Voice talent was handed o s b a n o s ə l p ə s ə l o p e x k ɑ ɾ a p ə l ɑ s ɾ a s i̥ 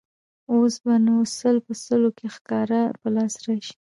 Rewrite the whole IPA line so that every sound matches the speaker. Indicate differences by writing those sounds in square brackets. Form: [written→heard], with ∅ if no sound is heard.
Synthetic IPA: o s b a n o s ə l p ə s ə l o [p→k] e x k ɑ ɾ a p ə l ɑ s ɾ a [s→ʃ] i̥